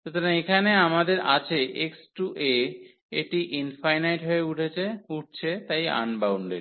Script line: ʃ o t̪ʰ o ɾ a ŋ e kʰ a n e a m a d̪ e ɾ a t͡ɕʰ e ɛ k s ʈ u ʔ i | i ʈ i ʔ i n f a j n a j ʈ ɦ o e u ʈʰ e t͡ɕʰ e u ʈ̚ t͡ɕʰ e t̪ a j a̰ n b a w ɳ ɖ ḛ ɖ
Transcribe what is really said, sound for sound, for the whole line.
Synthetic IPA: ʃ o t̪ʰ o ɾ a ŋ e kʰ a n e a m a d̪ e ɾ a t͡ɕʰ e e k s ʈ u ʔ e | e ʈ i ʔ i n f a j n a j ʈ ɦ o e u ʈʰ e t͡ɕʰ e u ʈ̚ t͡ɕʰ e t̪ a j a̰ n b a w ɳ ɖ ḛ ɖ